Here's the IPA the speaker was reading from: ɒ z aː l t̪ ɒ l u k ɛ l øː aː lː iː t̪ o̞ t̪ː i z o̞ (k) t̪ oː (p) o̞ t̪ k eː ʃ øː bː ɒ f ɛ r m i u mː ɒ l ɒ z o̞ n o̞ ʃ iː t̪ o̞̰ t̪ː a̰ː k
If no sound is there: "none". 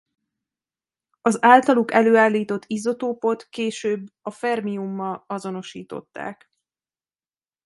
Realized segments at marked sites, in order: none, p

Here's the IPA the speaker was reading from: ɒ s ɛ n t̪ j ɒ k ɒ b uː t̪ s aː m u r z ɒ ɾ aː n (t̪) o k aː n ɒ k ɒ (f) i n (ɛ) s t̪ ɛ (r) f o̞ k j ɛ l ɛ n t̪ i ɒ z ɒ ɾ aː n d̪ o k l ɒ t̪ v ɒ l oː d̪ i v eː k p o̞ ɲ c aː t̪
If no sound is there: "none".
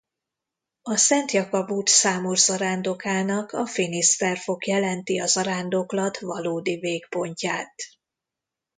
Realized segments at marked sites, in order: d̪, f, i, r

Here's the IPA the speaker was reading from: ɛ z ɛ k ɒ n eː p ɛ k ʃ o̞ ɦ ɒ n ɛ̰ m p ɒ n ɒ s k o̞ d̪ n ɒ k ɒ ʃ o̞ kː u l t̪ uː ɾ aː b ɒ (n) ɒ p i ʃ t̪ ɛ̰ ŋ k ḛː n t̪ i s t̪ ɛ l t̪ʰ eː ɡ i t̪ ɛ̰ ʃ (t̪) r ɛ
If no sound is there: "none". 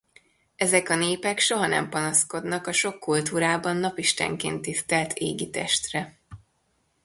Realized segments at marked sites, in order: nː, t̪

